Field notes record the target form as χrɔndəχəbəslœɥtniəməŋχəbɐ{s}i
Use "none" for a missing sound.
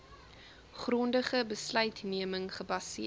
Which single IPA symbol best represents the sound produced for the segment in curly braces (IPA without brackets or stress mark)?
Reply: s